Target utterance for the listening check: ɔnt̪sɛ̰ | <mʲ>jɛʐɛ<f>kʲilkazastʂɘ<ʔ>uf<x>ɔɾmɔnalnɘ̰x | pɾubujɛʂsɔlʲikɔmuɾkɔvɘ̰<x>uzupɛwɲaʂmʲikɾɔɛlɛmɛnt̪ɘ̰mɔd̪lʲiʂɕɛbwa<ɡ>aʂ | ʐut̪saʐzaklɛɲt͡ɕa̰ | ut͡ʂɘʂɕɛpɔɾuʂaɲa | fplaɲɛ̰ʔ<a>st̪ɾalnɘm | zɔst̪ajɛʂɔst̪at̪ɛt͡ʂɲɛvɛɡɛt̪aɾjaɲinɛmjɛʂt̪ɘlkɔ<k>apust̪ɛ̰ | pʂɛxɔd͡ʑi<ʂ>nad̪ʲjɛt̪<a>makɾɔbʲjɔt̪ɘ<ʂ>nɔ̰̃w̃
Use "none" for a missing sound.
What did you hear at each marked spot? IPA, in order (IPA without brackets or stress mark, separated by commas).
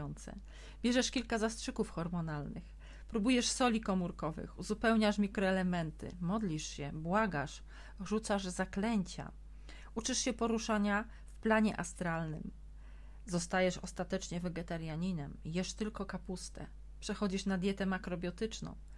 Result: bʲ, ʂ, k, x, x, ɡ, a, k, ʂ, ɛ, t͡ʂ